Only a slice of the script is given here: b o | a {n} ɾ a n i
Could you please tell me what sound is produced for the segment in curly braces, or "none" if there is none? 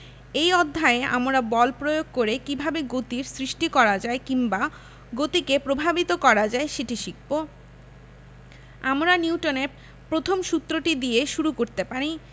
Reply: m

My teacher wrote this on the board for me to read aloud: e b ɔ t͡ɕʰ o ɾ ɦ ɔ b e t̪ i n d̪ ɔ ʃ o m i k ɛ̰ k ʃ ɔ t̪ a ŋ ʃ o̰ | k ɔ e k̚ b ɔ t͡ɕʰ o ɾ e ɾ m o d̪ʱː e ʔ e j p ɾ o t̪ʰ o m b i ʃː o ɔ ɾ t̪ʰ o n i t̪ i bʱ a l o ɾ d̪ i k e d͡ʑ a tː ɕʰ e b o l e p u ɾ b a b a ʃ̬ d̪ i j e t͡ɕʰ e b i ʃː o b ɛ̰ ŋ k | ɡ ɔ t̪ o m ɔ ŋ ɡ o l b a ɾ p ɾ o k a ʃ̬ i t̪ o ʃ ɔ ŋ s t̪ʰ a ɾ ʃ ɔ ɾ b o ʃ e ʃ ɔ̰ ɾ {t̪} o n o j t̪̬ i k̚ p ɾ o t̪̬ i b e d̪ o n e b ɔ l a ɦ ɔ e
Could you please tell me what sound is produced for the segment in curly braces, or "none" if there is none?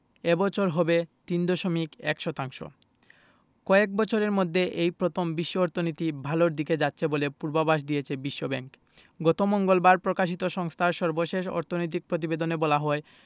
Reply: t̪ʰ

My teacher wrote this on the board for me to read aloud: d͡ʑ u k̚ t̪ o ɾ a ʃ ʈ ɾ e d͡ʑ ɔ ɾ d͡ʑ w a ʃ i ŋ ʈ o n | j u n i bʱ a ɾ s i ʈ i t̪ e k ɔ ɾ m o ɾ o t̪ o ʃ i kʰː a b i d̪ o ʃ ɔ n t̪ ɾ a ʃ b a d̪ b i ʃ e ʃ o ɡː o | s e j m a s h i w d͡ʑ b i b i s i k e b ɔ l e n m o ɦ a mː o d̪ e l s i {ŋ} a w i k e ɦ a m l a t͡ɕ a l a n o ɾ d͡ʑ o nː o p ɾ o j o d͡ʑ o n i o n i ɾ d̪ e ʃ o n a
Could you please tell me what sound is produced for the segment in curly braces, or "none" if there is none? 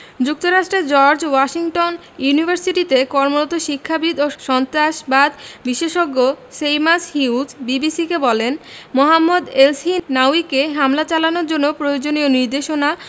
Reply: n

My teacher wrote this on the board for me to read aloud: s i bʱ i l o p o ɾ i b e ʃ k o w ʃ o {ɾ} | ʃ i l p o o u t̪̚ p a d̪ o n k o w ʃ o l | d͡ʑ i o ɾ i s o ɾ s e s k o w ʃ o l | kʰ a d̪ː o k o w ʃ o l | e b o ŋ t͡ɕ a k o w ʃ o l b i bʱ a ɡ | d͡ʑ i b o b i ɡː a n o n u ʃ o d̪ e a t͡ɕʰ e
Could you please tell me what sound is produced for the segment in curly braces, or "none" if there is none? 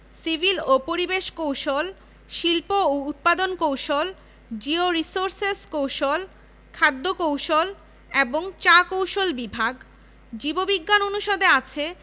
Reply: l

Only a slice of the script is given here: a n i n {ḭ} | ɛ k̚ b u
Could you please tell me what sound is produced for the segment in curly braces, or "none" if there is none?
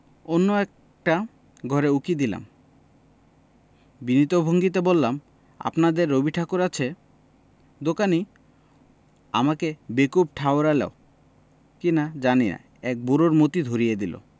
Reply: a̰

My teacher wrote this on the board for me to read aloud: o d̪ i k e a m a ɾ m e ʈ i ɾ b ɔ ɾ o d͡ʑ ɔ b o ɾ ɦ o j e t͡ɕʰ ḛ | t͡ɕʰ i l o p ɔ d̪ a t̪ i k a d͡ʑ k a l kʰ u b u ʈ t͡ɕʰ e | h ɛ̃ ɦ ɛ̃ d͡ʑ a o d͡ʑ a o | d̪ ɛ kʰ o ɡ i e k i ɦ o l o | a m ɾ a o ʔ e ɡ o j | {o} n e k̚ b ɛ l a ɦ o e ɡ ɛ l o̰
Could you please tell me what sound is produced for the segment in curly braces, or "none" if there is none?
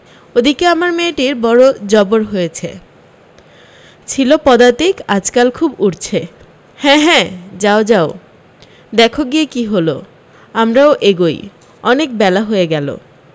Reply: ɔ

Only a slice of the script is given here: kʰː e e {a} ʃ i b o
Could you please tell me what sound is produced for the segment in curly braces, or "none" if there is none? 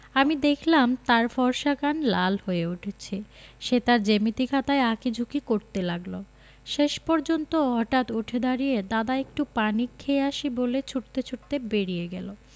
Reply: a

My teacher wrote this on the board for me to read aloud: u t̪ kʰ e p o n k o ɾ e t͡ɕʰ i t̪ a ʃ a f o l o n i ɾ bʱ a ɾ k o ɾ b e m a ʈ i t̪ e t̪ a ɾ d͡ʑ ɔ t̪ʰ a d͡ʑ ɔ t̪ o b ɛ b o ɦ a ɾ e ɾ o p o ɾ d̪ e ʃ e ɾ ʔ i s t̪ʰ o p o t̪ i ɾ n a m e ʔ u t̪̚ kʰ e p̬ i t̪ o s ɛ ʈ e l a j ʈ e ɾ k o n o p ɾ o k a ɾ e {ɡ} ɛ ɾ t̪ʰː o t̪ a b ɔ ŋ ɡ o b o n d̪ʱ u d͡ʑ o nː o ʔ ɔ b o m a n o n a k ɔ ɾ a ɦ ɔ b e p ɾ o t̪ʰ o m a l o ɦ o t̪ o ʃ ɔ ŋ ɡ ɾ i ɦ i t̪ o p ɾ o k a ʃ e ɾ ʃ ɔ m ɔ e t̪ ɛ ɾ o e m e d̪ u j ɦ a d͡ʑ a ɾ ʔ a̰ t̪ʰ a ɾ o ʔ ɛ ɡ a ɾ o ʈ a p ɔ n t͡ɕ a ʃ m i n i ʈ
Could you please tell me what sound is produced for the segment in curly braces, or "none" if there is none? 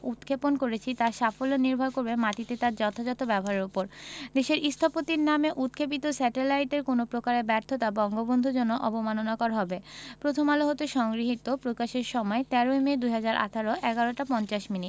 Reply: b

